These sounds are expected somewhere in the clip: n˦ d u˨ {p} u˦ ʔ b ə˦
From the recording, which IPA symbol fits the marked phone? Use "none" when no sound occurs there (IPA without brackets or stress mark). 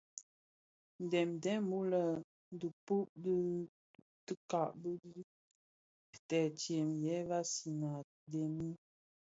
p